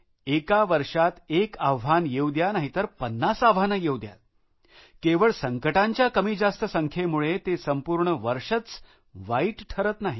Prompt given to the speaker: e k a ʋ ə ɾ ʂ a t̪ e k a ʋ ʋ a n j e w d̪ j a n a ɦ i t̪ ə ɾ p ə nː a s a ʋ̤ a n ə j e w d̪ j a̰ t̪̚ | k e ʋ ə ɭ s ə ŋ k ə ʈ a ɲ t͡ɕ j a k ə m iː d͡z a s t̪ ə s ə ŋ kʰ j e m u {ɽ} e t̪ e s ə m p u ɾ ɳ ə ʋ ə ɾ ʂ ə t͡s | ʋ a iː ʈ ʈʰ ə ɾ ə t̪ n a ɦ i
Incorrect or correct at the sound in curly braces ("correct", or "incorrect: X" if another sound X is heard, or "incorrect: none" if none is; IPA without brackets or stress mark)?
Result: incorrect: ɭ